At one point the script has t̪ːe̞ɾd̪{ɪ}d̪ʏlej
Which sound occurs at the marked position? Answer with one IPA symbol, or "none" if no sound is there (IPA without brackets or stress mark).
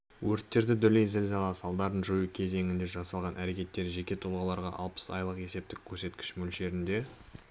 ɪ